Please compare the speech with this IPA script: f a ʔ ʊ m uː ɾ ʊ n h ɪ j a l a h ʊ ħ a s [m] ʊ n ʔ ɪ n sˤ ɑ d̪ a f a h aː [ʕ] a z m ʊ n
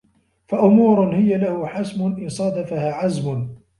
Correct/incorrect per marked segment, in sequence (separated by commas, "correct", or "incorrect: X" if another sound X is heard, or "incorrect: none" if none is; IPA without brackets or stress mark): correct, correct